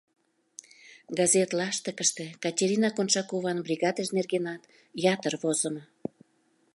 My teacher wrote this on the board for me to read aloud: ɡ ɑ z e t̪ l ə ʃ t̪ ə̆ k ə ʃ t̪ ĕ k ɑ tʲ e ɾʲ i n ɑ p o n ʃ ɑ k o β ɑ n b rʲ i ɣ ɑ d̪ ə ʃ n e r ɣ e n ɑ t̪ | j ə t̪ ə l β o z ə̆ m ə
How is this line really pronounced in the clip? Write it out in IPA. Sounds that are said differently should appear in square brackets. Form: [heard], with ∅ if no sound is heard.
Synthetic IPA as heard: ɡ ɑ z e t̪ l [ɑ] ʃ t̪ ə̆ k ə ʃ t̪ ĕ k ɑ tʲ e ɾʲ i n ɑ [k] o n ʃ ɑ k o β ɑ n b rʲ i ɣ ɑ d̪ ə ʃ n e r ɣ e n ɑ t̪ | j [ɑ] t̪ ə [r] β o z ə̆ m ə

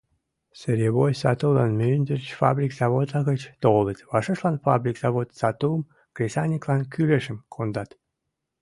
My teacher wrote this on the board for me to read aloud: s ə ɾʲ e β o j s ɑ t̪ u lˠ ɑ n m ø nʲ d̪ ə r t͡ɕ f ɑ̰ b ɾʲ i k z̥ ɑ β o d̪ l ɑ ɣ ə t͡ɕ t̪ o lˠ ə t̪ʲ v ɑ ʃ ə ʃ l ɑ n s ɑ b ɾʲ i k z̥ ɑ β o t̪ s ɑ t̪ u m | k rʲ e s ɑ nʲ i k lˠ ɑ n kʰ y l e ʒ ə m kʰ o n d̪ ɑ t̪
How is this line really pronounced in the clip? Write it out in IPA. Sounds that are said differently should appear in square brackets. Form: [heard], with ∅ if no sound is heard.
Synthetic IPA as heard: s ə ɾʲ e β o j s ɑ t̪ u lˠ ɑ n m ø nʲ d̪ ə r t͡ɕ f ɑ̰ b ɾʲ i k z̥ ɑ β o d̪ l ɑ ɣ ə t͡ɕ t̪ o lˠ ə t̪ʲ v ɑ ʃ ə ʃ l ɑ n [f] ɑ b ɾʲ i k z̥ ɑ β o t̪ s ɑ t̪ u m | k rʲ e s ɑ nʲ i k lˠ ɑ n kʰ y l e [ʃ] ə m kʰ o n d̪ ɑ t̪

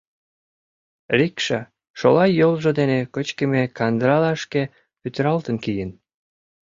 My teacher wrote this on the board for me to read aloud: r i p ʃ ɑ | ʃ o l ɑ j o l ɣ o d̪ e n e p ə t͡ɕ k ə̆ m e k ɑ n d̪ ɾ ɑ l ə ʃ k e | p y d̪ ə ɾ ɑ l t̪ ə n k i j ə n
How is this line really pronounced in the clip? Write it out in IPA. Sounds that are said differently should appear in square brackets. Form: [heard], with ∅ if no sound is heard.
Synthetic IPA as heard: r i [k] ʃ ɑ | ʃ o l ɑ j o l [ʒ] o d̪ e n e [k] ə t͡ɕ k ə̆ m e k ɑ n d̪ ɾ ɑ l [ɑ] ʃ k e | p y [t̪] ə ɾ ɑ l t̪ ə n k i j ə n

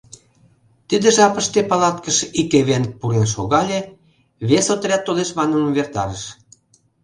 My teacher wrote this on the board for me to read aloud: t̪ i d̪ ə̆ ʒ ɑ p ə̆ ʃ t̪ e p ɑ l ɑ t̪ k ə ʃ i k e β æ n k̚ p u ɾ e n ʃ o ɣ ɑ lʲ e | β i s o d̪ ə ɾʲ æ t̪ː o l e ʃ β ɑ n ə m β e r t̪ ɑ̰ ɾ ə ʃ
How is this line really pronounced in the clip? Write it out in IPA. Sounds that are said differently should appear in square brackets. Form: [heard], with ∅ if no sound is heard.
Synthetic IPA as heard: t̪ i d̪ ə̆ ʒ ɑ p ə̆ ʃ t̪ e p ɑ l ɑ t̪ k ə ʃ i k e β [e] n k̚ p u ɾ e n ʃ o ɣ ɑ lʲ e | β [e] s o [t̪] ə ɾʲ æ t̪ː o l e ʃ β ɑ n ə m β e r t̪ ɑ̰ ɾ ə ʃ

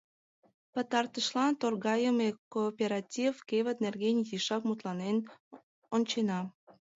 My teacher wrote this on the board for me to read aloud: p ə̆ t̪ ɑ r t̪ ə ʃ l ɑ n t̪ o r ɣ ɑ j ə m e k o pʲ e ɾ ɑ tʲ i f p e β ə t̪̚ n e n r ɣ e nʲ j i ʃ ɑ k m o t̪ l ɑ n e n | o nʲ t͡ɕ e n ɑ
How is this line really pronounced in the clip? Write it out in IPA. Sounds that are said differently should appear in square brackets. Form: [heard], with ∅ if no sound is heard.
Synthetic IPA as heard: p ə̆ t̪ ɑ r t̪ ə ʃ l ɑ n t̪ o r ɣ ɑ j ə m e k o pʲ e ɾ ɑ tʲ i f [k] e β ə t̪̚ n e [∅] r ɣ e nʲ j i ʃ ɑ k m [u] t̪ l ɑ n e n | o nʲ t͡ɕ e n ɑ

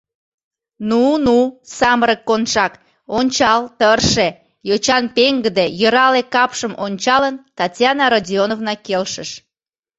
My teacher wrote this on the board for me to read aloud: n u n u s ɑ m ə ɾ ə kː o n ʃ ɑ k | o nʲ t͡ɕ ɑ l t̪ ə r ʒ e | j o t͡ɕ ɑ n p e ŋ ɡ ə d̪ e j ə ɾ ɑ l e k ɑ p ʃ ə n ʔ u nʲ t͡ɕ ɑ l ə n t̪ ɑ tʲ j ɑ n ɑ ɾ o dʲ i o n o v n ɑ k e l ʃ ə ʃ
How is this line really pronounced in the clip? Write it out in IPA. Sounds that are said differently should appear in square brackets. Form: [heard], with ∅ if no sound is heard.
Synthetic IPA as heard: n u n u s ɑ m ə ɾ ə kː o n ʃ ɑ k | o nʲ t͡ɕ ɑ l t̪ ə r [ʃ] e | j o t͡ɕ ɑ n p e ŋ ɡ ə d̪ e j ə ɾ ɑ l e k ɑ p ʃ ə [m] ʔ [o] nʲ t͡ɕ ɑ l ə n t̪ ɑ tʲ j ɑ n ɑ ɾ o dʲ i o n o v n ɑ k e l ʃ ə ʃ

